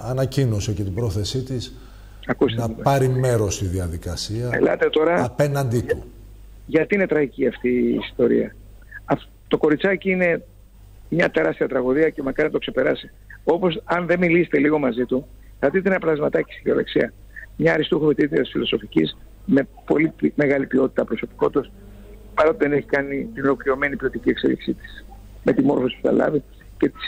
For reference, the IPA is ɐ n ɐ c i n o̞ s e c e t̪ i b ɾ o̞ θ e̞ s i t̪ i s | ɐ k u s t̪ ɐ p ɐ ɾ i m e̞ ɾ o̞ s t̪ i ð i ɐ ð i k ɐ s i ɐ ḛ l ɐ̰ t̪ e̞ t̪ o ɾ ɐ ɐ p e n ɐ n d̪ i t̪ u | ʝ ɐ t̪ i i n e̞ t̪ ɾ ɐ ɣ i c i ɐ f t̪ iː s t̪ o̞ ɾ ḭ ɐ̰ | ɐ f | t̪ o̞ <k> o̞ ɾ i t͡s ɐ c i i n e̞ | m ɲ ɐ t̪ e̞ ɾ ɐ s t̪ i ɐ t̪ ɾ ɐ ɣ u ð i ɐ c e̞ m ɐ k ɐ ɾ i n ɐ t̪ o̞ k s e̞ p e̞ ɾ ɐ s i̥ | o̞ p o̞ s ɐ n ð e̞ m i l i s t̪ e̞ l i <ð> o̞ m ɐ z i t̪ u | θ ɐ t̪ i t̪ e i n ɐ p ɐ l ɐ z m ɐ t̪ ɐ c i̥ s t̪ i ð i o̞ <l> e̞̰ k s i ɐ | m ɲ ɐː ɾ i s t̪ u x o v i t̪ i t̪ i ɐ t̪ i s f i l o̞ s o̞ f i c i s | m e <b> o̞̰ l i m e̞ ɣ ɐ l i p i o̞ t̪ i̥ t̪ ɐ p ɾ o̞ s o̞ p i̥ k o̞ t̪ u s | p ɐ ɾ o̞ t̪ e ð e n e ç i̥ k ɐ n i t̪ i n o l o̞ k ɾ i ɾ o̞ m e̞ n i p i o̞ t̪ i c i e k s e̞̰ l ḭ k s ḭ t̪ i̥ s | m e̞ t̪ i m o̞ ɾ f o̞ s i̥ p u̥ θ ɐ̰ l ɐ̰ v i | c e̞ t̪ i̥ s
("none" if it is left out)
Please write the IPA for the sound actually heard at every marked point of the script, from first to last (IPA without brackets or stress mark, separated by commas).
k, ɣ, l, p